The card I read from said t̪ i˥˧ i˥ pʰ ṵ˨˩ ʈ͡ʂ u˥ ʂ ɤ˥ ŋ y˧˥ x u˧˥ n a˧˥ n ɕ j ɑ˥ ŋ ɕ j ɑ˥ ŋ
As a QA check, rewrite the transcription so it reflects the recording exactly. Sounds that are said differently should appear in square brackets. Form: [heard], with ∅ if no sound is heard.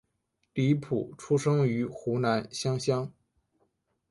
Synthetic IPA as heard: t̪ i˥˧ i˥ pʰ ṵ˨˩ [ʈ͡ʂʰ] u˥ ʂ ɤ˥ ŋ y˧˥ x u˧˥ n a˧˥ n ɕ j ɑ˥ ŋ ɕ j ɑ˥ ŋ